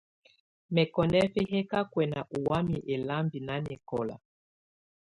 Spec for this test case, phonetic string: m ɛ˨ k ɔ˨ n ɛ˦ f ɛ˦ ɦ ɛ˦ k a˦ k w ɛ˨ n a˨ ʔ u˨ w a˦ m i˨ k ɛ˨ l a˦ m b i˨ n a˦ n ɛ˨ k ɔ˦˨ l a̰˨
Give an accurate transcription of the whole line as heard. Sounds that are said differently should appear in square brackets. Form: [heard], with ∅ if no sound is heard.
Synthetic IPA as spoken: m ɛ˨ k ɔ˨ n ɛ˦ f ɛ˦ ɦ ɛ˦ k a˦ k w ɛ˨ n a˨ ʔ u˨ w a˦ m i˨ [ʔ] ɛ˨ l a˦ m b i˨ n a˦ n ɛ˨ k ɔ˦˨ l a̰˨